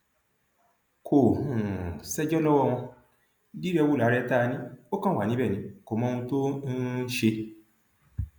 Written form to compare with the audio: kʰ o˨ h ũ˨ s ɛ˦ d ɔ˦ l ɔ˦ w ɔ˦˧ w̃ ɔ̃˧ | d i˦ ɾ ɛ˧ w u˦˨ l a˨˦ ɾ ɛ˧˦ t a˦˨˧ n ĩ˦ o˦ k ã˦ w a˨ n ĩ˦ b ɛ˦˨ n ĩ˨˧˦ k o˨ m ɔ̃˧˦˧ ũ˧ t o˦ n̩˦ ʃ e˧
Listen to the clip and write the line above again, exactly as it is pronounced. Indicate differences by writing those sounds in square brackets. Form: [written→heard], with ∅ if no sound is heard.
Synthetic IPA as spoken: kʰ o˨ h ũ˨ s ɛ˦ [d→d͡ʒ] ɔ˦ l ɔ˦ w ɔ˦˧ w̃ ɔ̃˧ | d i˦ ɾ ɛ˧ w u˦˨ l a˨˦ ɾ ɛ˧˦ t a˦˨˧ n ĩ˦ o˦ k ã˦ w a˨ n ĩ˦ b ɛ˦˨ n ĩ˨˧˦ k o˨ m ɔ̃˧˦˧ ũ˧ t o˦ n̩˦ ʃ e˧